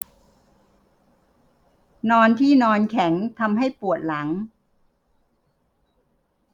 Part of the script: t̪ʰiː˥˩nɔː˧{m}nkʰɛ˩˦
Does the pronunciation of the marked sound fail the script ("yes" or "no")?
yes